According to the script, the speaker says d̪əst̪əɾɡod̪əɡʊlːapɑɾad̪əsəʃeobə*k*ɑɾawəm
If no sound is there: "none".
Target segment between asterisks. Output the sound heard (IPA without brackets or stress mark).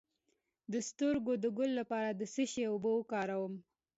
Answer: k